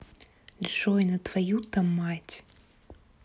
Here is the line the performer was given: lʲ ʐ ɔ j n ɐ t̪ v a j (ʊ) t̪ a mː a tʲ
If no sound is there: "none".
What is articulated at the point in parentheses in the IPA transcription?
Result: u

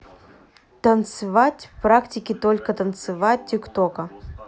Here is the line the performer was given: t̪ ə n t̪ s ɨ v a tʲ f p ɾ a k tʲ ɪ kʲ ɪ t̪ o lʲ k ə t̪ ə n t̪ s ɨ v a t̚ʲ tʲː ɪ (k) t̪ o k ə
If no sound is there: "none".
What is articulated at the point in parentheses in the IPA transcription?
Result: k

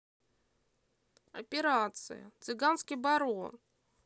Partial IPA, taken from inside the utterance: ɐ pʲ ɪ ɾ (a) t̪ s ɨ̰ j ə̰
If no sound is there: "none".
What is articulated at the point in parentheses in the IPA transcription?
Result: a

